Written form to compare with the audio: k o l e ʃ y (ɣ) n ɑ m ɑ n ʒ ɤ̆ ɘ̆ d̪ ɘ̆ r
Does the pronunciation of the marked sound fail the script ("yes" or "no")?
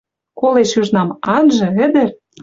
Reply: yes